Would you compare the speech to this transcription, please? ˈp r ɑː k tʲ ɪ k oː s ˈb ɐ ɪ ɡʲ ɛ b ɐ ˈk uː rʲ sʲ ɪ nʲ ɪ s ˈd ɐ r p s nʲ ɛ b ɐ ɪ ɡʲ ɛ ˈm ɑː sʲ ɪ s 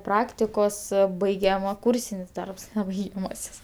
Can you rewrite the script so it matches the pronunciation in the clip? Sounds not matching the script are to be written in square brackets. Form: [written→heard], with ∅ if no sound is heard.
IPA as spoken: ˈp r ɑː k tʲ ɪ k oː s ˈb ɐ ɪ ɡʲ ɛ [b→m] ɐ ˈk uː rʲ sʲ ɪ nʲ ɪ s ˈd ɐ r p s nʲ ɛ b ɐ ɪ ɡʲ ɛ ˈm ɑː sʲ ɪ s